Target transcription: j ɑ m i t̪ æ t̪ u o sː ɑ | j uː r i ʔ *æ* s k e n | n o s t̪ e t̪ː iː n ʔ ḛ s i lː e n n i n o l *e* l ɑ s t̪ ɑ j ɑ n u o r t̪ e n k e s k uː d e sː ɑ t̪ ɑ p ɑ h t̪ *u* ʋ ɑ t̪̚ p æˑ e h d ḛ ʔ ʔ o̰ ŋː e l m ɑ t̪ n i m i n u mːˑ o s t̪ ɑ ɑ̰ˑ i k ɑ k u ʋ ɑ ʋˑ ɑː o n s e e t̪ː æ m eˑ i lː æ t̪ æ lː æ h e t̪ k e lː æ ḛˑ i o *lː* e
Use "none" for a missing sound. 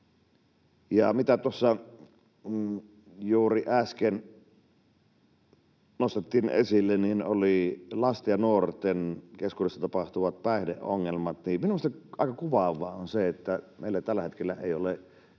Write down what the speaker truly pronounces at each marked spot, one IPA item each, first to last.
æ, i, u, l

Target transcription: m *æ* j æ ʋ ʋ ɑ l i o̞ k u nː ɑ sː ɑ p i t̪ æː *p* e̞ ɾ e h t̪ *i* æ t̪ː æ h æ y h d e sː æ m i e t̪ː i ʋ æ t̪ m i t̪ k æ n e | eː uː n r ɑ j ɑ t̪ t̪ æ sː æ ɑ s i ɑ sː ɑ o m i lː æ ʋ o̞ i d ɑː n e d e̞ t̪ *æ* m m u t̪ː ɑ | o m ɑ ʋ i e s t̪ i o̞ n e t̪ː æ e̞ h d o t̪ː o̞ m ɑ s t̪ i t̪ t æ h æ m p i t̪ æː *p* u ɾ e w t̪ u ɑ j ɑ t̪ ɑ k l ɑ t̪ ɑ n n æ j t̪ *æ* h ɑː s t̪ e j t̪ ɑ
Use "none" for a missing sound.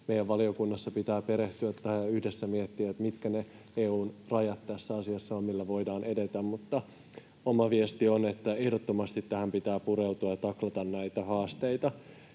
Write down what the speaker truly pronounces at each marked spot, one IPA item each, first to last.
e, p, y, æ, p, æ

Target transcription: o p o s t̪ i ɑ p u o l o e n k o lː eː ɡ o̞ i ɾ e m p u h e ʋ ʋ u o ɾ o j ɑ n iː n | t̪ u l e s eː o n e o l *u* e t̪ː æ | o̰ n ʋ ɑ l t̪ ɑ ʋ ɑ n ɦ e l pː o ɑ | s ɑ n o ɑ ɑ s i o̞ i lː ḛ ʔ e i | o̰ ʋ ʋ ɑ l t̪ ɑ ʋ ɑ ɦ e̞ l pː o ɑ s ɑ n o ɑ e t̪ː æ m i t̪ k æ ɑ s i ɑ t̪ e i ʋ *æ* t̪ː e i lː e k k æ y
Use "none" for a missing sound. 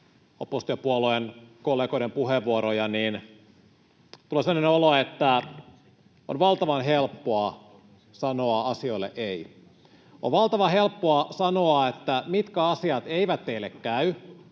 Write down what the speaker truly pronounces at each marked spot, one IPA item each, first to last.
o, æ

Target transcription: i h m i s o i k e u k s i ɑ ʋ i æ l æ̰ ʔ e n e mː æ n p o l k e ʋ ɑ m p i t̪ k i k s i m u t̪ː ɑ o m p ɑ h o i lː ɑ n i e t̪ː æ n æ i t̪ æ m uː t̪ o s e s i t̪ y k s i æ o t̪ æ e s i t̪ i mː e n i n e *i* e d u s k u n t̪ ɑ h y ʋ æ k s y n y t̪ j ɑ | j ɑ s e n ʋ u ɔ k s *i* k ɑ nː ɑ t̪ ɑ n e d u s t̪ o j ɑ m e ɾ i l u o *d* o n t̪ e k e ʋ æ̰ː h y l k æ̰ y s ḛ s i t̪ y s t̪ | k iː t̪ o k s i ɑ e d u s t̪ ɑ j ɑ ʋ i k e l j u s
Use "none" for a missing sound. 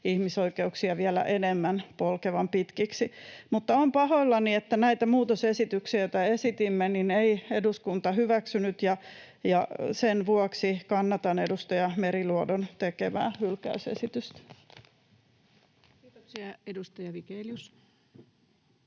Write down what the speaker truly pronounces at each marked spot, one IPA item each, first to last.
i, i, d

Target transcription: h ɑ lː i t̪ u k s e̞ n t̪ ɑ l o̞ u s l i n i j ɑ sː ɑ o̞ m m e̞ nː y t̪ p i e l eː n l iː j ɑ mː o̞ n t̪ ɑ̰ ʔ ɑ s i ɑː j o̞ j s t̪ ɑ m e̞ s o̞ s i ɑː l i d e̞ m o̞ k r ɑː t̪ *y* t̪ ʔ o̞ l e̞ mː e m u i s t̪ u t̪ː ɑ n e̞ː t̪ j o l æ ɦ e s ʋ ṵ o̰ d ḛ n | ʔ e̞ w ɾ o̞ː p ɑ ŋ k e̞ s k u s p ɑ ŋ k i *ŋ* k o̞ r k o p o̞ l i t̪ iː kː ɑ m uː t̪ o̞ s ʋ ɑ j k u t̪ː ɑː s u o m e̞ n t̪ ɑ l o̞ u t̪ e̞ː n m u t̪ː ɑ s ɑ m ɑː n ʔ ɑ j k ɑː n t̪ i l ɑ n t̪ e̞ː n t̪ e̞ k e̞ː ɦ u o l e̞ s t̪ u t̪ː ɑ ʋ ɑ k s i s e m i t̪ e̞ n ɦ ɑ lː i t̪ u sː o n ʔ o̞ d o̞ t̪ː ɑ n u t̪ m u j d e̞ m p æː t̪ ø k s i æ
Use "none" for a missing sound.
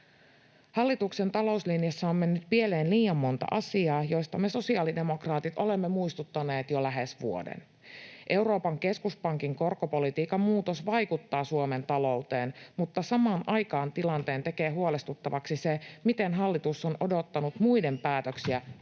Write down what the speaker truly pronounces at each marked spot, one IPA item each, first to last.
i, ŋ

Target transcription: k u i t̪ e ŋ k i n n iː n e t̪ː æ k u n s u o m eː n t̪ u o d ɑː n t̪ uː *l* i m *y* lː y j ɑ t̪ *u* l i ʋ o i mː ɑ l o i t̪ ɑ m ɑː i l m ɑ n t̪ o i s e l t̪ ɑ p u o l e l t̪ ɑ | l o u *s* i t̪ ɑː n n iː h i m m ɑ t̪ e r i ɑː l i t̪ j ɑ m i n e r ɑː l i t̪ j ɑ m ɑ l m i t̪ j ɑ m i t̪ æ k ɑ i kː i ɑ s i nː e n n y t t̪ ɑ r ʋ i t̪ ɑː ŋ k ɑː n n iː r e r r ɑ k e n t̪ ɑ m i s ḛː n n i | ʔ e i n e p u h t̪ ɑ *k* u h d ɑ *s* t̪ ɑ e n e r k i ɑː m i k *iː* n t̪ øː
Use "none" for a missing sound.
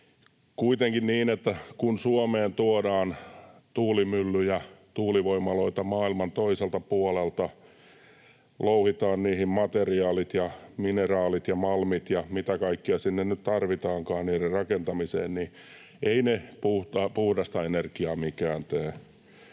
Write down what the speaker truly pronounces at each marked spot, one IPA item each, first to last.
l, y, uː, h, p, s, æː

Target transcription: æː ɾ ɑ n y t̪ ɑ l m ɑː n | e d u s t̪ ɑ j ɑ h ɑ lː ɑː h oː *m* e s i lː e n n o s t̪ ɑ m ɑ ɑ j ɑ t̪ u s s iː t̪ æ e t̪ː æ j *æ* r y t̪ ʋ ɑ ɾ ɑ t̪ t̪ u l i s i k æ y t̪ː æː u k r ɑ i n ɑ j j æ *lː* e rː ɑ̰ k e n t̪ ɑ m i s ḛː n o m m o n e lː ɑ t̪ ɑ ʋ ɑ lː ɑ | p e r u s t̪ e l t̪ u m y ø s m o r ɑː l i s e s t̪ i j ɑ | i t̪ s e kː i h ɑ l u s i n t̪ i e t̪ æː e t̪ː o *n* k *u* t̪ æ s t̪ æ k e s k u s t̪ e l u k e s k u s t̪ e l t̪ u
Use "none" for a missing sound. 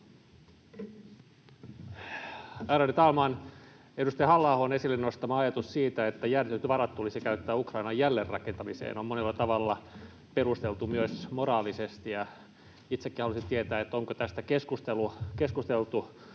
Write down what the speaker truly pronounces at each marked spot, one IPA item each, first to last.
n, æ, lː, ŋ, o

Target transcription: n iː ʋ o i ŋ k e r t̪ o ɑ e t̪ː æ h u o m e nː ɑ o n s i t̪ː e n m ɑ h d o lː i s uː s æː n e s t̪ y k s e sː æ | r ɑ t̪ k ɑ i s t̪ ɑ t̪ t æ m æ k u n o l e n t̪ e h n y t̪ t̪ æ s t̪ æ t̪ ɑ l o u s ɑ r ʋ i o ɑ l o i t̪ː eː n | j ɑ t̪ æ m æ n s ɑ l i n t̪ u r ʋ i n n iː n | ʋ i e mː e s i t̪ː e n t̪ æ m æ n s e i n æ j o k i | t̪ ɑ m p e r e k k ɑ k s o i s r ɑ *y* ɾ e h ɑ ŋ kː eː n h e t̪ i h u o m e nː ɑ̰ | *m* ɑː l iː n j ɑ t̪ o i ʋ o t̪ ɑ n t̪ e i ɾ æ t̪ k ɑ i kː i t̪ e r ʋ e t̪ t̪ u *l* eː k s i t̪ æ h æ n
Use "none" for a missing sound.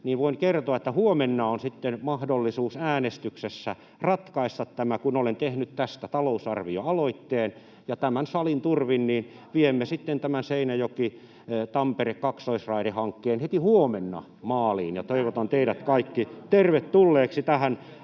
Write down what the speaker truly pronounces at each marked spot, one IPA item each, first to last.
i, m, lː

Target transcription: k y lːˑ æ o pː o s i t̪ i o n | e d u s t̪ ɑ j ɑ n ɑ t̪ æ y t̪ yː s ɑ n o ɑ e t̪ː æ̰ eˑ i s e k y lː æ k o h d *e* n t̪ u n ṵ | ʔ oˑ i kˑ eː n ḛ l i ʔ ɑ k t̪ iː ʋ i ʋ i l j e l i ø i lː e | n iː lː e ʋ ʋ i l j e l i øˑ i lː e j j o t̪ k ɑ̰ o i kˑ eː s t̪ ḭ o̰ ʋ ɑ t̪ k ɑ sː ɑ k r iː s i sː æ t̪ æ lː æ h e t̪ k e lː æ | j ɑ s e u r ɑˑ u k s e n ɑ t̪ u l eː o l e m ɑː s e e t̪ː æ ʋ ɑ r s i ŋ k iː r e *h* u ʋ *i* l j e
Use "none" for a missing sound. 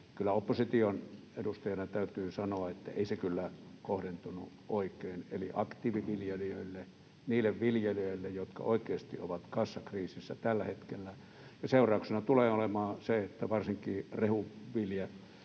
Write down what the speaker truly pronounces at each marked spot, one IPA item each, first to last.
e, h, i

